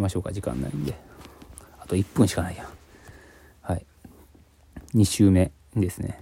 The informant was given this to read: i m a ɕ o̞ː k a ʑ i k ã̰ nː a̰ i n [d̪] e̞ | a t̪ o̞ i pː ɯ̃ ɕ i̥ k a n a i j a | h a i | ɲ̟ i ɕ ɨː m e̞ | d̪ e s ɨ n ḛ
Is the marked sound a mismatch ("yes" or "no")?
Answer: no